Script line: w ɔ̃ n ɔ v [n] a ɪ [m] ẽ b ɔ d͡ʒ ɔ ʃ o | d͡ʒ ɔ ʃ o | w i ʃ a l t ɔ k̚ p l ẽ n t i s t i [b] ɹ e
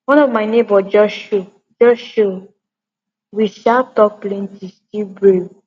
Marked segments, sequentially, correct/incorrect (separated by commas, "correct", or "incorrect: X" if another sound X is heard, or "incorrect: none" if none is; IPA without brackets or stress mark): incorrect: m, incorrect: n, correct